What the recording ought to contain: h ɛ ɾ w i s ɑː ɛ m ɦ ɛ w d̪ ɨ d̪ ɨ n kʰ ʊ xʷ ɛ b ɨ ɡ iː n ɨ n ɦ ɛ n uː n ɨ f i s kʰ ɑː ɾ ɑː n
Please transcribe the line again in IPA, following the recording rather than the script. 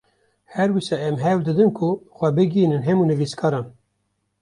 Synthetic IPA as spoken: h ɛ ɾ w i s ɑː ɛ m ɦ ɛ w d̪ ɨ d̪ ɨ n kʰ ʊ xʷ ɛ b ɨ ɡ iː n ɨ n ɦ ɛ m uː n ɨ v i s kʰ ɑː ɾ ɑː n